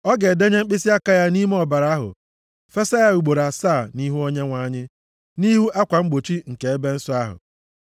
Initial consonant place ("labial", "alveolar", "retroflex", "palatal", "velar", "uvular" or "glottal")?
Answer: velar